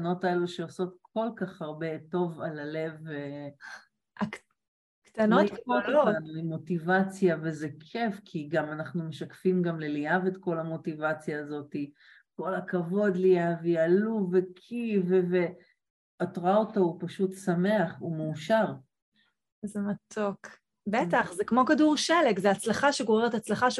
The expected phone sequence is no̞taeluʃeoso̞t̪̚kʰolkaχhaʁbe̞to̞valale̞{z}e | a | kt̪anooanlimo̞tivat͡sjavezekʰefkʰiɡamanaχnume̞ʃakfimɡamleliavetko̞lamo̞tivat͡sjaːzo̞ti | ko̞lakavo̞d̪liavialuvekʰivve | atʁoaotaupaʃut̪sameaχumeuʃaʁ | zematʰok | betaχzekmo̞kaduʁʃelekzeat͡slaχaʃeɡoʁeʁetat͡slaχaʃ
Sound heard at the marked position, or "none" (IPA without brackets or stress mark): v